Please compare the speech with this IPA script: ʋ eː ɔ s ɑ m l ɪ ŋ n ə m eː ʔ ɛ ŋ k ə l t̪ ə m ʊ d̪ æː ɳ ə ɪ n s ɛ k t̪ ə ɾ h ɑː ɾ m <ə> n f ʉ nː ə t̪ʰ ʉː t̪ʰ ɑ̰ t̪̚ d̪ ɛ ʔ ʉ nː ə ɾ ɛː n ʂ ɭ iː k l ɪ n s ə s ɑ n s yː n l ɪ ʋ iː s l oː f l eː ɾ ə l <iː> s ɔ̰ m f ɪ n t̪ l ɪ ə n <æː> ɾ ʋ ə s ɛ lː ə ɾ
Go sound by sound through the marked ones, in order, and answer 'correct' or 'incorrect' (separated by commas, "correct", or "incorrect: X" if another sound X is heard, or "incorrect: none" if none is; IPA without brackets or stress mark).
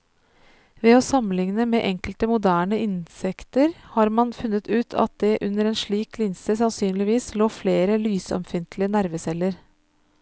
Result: incorrect: ɑ, incorrect: yː, incorrect: æ